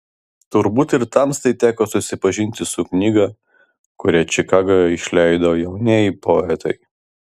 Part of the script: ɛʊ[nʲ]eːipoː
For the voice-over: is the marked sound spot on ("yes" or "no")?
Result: yes